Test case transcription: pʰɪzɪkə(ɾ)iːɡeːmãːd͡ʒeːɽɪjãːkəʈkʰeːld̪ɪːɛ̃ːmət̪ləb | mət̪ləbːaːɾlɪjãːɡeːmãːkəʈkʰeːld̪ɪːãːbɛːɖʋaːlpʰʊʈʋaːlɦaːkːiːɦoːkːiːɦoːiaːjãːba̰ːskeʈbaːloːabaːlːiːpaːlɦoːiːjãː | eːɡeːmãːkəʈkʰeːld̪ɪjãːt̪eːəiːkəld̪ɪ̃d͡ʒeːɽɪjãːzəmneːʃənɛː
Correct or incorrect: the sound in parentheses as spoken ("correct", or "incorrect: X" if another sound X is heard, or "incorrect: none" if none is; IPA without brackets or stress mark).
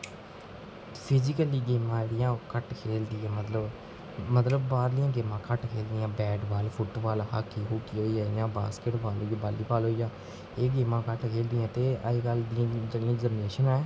incorrect: l